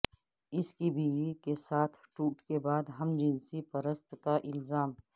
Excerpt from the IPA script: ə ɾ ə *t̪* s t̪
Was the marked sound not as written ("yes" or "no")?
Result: yes